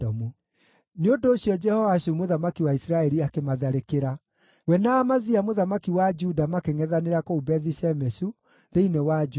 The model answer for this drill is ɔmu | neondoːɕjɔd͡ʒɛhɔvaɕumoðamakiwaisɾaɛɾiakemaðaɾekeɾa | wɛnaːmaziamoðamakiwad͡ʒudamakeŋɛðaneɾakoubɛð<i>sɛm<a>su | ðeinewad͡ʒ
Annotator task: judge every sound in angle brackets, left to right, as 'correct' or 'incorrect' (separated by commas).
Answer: correct, incorrect